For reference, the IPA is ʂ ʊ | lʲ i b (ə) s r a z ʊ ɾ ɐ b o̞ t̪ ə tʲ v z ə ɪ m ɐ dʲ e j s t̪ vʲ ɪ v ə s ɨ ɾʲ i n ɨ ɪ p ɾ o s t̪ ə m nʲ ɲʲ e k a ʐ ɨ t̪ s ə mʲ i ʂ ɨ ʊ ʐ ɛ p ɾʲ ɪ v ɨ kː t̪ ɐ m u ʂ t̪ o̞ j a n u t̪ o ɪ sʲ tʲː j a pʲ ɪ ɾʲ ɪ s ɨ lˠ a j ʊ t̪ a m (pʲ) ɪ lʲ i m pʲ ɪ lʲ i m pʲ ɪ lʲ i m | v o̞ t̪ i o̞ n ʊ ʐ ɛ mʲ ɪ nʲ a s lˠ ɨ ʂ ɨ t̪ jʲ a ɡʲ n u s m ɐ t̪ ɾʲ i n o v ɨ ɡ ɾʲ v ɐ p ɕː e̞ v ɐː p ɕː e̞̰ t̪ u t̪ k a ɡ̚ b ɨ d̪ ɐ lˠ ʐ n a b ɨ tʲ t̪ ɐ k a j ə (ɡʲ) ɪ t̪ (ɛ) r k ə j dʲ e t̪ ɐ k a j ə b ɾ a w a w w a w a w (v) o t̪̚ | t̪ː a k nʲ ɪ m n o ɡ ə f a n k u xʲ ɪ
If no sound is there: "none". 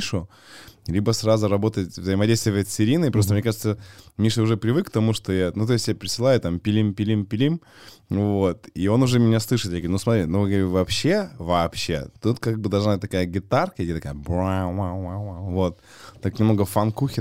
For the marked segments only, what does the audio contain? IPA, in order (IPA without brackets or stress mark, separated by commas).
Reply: ə, pʲ, ɡʲ, a, v